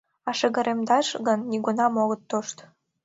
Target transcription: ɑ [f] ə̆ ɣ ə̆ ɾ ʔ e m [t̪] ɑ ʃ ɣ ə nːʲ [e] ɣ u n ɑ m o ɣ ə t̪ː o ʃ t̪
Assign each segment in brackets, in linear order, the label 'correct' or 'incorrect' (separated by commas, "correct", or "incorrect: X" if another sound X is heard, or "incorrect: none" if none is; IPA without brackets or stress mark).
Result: incorrect: ʃ, incorrect: d̪, incorrect: i